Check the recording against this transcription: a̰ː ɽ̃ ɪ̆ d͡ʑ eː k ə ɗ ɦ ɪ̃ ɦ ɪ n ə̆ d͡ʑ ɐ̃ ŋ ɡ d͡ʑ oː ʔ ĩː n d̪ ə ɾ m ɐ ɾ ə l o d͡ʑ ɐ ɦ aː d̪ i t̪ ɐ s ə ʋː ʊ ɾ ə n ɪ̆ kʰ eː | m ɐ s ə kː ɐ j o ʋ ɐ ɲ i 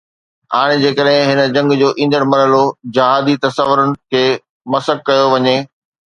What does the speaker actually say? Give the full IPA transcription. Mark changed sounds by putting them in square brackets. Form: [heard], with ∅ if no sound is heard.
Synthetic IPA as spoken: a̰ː ɽ̃ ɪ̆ d͡ʑ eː k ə ɗ ɦ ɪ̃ ɦ ɪ n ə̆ d͡ʑ ɐ̃ ŋ ɡ d͡ʑ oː ʔ ĩː n d̪ ə [ɽ] m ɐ ɾ ə l o d͡ʑ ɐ ɦ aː d̪ i t̪ ɐ s ə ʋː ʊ ɾ ə n ɪ̆ kʰ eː | m ɐ s ə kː ɐ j o ʋ ɐ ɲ [e]

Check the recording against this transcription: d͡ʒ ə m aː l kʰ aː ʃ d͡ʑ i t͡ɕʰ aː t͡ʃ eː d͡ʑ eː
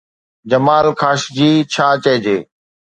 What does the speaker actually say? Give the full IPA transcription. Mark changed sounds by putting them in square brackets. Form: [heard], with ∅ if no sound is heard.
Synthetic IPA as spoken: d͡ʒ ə m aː l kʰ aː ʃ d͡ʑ [iː] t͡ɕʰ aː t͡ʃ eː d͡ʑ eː

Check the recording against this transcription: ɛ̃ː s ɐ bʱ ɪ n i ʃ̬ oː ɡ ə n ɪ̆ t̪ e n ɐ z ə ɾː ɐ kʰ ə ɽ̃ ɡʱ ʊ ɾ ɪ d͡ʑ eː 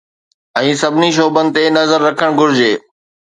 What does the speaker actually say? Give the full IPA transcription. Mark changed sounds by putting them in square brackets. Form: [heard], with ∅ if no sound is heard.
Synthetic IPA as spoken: ɛ̃ː s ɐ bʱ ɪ n i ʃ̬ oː [b] ə n ɪ̆ t̪ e n ɐ z ə ɾː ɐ kʰ ə ɽ̃ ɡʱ ʊ ɾ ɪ d͡ʑ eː

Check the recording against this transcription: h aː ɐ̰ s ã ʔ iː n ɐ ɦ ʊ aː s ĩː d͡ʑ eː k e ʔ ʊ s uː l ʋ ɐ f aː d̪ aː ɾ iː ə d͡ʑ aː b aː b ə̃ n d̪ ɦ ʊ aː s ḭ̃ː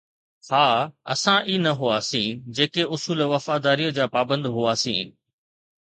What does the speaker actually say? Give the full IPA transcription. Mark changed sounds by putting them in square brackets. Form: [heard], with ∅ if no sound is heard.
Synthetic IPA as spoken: h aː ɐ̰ s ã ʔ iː n ɐ ɦ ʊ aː s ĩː d͡ʑ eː k e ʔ ʊ s uː l ʋ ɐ f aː d̪ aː ɾ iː ə d͡ʑ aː [p] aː b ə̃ n d̪ ɦ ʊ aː s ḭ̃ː

